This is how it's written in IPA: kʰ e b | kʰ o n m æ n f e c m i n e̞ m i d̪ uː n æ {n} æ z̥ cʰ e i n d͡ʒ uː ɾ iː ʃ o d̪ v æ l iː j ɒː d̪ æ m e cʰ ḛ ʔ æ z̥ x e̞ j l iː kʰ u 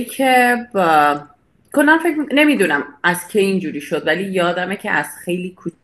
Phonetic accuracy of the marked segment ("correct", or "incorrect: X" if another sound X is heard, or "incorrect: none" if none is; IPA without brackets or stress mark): incorrect: m